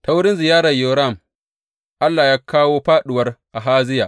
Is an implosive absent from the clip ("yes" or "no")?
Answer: no